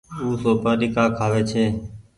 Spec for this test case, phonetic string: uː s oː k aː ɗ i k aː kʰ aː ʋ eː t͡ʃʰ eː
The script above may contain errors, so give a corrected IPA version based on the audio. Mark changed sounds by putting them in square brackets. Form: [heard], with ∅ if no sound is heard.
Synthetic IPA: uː s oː [p] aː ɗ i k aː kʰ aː ʋ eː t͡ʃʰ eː